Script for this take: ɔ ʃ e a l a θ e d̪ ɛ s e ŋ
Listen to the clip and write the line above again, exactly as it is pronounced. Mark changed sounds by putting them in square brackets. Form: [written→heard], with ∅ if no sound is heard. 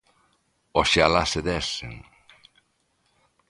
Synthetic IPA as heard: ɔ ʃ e a l a [θ→s] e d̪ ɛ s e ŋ